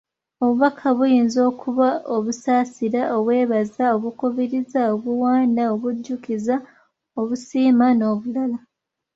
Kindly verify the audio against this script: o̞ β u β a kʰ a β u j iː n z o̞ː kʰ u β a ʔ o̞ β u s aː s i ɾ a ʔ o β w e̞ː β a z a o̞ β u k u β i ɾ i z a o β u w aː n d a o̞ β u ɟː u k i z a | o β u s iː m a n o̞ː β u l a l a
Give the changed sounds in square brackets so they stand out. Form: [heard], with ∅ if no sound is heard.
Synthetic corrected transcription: o̞ β u β a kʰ a β u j iː n z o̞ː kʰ u β a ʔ o̞ β u s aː s i ɾ a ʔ o β w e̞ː β a z a o̞ β u k u β i ɾ i z a o β u w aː n d a o̞ β u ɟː u k i z a | o β u s iː m a n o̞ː β u l a l a